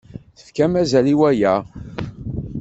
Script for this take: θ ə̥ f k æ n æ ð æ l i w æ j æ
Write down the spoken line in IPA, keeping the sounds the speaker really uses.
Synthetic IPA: θ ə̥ f k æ m æ z æ l i w æ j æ